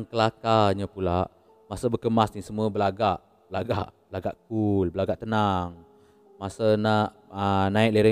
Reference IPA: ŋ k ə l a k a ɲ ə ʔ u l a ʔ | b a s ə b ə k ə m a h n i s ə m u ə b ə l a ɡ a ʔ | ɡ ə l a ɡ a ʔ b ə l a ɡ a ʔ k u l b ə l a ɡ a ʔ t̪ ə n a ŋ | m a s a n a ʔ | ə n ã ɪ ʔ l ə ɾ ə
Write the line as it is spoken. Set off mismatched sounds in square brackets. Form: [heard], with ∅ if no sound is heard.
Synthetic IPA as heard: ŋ k ə l a k a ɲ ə [p] u l a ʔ | [m] a s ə b ə k ə m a [s] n i s ə m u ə b ə l a ɡ a ʔ | [b] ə l a ɡ a ʔ b ə l a ɡ a ʔ k u l b ə l a ɡ a ʔ t̪ ə n a ŋ | m a s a n a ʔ | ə n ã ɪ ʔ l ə ɾ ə